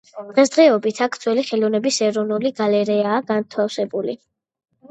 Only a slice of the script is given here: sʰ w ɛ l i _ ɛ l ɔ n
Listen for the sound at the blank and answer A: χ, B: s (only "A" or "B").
A